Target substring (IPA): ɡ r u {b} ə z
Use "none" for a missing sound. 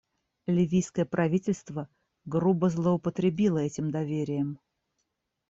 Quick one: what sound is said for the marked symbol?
b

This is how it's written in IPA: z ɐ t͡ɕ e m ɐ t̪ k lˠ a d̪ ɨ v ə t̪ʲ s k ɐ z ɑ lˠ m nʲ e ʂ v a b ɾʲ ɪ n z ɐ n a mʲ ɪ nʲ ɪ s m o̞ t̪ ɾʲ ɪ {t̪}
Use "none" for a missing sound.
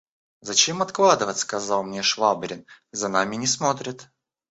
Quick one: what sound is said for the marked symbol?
t̪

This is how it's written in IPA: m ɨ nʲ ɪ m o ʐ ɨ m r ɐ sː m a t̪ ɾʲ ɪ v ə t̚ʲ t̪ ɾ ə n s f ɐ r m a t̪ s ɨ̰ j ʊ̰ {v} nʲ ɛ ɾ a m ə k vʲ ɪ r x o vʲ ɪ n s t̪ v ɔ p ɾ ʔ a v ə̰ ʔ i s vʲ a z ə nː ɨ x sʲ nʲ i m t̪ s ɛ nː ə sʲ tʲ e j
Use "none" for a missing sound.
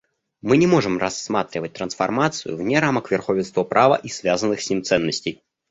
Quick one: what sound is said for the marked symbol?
v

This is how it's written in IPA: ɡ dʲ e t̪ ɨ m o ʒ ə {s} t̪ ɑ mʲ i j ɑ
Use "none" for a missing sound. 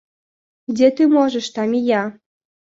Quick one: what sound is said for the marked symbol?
ʃ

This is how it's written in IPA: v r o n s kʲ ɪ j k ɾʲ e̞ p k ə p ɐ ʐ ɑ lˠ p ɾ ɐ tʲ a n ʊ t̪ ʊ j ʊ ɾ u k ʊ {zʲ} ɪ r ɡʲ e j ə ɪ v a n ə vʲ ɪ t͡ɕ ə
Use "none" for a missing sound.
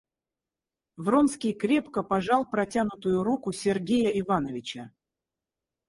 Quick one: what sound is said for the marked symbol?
sʲ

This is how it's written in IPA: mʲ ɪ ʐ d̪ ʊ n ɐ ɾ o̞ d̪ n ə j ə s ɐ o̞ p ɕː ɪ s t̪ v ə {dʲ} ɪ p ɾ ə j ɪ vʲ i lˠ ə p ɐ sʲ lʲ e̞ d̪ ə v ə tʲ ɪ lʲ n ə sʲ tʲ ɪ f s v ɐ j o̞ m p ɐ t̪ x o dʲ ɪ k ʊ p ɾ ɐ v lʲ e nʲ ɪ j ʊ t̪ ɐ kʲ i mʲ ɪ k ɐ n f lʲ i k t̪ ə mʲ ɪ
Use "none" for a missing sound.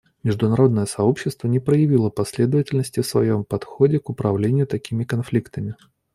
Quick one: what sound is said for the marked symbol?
nʲ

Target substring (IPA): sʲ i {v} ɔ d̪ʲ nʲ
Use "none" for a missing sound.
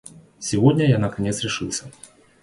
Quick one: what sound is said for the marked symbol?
v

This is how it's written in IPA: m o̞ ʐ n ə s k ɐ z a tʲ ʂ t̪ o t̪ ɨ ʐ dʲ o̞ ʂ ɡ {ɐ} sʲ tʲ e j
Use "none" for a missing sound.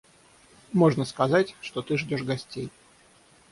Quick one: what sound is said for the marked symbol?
ɐ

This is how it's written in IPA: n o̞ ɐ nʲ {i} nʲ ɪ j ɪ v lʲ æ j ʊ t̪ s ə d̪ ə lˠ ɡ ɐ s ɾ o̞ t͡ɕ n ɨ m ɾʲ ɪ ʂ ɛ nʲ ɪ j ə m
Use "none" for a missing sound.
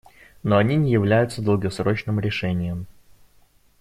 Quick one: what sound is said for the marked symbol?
i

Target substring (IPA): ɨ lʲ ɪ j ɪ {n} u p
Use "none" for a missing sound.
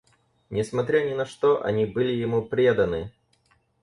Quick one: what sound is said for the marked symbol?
m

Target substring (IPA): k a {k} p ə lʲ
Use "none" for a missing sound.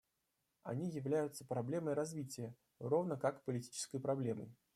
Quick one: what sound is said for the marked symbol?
k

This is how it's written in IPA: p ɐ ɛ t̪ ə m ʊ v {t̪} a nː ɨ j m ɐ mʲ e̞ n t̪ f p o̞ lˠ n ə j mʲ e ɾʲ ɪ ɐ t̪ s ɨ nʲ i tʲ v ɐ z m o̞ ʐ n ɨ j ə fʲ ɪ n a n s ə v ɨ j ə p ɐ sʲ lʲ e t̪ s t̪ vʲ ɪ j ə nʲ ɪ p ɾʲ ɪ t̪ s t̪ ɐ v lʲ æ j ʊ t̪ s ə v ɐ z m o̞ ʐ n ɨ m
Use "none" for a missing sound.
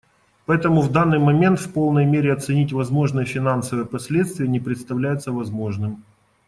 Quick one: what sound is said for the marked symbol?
d̪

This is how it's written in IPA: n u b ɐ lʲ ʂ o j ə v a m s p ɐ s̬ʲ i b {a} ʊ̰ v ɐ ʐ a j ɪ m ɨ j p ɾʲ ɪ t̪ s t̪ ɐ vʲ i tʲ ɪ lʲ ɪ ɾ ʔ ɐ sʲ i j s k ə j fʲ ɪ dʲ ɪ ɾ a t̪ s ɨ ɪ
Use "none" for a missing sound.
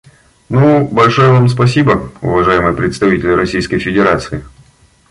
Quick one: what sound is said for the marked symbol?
ə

